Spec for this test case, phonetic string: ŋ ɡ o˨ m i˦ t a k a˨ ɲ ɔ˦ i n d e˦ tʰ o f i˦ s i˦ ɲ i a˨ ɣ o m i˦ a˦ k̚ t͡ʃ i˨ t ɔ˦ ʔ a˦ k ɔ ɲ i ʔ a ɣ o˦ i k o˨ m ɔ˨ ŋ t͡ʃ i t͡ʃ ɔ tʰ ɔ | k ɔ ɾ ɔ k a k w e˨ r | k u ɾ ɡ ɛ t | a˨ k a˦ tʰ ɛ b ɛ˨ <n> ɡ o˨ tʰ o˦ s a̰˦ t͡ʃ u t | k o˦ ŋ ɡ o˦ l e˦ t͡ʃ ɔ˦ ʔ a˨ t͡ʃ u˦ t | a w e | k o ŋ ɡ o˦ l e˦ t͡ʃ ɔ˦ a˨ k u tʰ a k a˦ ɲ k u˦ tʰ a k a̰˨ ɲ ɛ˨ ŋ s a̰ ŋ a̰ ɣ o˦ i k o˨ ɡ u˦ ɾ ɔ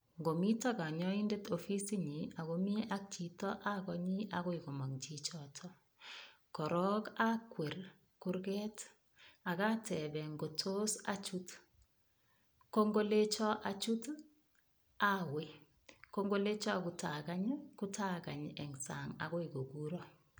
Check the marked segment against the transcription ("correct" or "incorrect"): incorrect